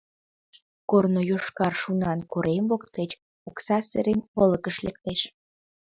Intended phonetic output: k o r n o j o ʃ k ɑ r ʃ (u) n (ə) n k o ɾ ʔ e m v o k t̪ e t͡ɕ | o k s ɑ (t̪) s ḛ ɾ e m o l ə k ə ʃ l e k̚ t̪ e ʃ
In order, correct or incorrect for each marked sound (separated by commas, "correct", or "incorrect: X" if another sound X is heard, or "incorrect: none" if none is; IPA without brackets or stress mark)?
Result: correct, incorrect: ɑ, incorrect: none